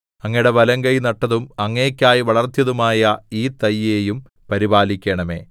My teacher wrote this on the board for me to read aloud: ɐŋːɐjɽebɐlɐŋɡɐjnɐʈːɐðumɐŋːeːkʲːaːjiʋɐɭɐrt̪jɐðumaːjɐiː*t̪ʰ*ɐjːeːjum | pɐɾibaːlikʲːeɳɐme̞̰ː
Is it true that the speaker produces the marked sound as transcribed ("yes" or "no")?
no